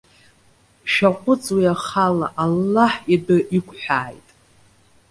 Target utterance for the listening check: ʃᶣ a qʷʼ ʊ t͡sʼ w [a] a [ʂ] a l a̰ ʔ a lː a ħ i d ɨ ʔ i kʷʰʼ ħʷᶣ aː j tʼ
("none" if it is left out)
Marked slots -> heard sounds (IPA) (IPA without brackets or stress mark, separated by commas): i, χ